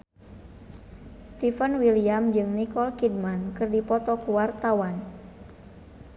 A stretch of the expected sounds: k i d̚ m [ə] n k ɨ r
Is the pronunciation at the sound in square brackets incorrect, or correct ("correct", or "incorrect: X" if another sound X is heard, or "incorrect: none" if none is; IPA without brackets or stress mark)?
incorrect: a